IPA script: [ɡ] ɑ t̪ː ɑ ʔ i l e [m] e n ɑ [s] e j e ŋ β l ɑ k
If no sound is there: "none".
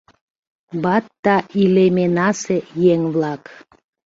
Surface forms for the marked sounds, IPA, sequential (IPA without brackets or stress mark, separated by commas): b, m, s